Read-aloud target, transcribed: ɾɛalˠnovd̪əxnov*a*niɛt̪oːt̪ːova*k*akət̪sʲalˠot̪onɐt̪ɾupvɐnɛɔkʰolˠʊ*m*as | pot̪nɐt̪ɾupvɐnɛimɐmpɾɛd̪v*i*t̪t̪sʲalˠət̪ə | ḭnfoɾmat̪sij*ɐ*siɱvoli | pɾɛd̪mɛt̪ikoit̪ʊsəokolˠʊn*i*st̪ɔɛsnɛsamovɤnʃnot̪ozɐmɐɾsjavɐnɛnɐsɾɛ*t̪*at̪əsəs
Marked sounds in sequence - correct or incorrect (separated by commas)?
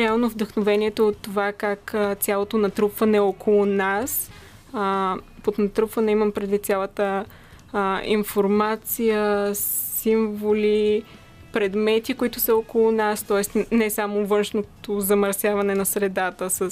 incorrect, correct, incorrect, correct, incorrect, incorrect, incorrect